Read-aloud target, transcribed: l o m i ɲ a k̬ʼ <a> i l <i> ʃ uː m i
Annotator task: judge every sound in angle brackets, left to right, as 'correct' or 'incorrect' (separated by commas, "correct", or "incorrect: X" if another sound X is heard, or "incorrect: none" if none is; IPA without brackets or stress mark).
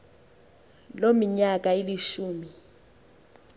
correct, correct